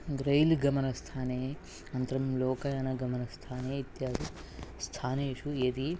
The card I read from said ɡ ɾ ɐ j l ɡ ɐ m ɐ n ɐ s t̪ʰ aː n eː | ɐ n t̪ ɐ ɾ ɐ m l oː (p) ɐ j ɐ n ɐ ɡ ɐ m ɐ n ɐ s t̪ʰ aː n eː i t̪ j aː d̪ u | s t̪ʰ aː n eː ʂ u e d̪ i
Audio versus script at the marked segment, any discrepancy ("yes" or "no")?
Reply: yes